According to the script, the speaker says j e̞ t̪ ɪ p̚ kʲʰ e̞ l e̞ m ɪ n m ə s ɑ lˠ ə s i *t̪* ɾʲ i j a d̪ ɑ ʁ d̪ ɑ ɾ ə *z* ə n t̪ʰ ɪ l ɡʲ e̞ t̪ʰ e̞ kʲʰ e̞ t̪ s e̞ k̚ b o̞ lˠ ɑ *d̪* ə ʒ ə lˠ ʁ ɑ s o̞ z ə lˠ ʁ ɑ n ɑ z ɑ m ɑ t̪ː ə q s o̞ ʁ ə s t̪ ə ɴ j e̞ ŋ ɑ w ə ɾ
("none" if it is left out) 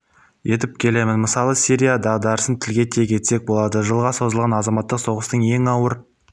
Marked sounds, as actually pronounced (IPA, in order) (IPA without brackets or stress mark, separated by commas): none, s, d̪